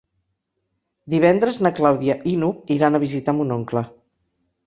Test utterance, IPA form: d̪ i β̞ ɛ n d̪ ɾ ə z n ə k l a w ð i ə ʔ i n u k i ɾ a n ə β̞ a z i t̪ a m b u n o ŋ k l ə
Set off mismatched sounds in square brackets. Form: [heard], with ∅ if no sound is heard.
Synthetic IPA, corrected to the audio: d̪ i β̞ ɛ n d̪ ɾ ə z n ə k l a w ð i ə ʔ i n u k i ɾ a n ə β̞ [i] z i t̪ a m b u n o ŋ k l ə